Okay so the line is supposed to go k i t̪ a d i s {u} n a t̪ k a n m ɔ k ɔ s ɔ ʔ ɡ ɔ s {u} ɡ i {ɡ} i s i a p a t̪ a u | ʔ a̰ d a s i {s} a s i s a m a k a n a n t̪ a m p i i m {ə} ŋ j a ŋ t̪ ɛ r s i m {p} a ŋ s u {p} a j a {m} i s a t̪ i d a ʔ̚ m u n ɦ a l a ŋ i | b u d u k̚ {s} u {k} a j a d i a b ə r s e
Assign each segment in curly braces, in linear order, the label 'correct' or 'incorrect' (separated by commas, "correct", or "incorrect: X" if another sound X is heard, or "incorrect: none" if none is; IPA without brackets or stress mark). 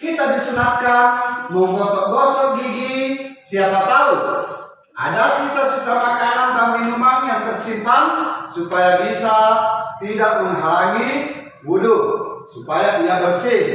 correct, incorrect: ɔ, correct, correct, incorrect: a, correct, correct, incorrect: b, correct, incorrect: p